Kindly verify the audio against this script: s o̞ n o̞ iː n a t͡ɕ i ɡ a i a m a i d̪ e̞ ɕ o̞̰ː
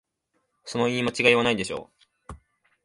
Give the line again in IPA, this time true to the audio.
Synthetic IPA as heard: s o̞ n o̞ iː m a t͡ɕ i ɡ a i a n a i d̪ e̞ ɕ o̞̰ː